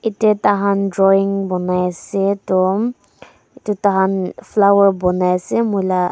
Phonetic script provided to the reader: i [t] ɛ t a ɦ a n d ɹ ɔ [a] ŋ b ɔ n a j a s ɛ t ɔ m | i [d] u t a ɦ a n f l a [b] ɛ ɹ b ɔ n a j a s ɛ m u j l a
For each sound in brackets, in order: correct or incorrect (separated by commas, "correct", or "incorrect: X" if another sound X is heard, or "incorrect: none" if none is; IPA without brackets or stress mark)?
correct, incorrect: i, incorrect: t, incorrect: w